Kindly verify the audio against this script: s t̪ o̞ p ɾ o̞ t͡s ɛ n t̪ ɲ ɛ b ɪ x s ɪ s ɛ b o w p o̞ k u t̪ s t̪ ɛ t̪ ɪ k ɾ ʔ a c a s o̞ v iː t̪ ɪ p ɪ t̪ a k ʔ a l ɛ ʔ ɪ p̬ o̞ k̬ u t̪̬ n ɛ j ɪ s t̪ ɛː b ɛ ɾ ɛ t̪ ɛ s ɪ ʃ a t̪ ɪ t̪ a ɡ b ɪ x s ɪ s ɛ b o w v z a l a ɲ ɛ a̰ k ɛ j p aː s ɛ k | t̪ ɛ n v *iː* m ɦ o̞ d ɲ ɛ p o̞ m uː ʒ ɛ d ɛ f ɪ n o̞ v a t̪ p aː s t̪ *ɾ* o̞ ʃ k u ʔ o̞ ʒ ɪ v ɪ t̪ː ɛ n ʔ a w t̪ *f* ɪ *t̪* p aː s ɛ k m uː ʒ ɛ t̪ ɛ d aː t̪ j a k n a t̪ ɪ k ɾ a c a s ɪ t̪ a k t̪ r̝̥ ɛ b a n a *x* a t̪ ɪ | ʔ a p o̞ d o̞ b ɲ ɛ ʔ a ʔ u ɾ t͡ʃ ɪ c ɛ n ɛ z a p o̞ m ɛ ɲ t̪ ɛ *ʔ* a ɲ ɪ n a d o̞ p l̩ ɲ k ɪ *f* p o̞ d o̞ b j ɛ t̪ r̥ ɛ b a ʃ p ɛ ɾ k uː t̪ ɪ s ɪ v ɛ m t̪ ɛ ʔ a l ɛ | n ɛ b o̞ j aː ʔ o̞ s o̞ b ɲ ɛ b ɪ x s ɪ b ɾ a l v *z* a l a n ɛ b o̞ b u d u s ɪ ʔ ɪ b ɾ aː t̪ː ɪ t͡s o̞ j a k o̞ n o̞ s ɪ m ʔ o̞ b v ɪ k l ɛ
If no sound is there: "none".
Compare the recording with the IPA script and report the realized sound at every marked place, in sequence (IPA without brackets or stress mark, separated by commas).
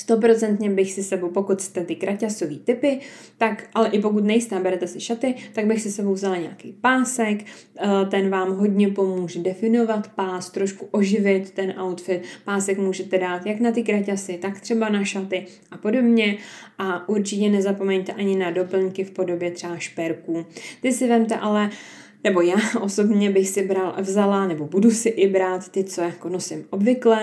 aː, ɾ, f, t̪, ʃ, ʔ, f, z